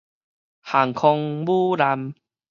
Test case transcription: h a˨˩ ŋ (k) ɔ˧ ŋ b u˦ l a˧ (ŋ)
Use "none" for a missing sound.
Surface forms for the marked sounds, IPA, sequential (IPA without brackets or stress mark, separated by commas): kʰ, m